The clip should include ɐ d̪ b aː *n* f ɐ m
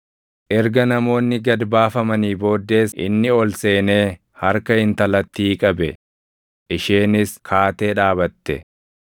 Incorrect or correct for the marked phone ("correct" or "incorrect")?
incorrect